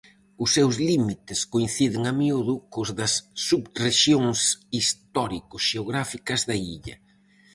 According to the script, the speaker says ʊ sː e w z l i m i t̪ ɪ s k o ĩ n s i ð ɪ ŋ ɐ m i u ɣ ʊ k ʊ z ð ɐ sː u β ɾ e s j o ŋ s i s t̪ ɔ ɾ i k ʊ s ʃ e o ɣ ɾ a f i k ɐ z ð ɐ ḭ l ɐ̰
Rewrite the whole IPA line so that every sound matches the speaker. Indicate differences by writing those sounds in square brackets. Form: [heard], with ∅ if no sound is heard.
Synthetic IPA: ʊ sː e w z l i m i t̪ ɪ s k o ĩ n [θ] i ð ɪ ŋ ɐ m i u [ð] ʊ k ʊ z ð ɐ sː u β [r] e [ʃ] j o ŋ s i s t̪ ɔ ɾ i k ʊ s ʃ e o ɣ ɾ a f i k ɐ z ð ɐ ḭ [ʎ] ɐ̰